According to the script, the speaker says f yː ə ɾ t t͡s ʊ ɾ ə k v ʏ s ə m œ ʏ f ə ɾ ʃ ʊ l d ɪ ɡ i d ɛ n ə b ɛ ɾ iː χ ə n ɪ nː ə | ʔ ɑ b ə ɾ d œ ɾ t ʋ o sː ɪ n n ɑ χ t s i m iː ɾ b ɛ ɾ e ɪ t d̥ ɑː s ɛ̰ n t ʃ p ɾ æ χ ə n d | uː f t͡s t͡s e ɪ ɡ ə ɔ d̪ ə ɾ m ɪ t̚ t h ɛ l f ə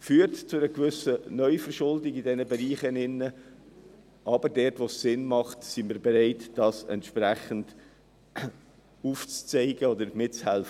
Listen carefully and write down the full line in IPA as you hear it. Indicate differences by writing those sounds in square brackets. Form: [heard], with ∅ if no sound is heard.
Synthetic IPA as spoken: f yː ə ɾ t t͡s ʊ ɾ ə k v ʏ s ə [n] œ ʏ f ə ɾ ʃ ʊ l d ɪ ɡ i d ɛ n ə b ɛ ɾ iː χ ə n ɪ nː ə | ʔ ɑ b ə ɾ d [ɛ] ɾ t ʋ o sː ɪ n [m] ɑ χ t s i m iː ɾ b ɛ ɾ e ɪ t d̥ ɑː s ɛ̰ n t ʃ p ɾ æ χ ə n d | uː f t͡s t͡s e ɪ ɡ ə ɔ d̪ ə ɾ m ɪ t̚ [t͡s] h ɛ l f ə